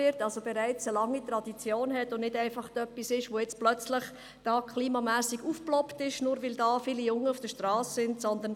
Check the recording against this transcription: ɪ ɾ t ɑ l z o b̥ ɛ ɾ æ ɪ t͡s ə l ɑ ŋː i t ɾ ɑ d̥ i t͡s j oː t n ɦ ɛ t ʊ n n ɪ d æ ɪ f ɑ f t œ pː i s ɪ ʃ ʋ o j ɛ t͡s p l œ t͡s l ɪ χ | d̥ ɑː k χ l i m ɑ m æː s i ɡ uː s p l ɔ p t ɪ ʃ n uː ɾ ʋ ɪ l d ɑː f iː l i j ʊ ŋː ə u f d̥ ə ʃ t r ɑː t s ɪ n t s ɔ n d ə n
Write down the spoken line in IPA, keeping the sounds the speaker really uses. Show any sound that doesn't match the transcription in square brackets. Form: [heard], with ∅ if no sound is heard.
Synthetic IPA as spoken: ɪ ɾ t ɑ l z o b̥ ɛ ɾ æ ɪ t͡s ə l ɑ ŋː i t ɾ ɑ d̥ i t͡s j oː [∅] n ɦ ɛ t ʊ n n ɪ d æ ɪ f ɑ [χ] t œ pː i s ɪ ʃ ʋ o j ɛ t͡s p l œ t͡s l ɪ χ | d̥ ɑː k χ l [iː] m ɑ m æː s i ɡ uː [f] p l ɔ p t ɪ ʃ n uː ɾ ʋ ɪ l d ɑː f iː l i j ʊ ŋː ə u f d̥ ə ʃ t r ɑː [s] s ɪ n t s ɔ n d ə n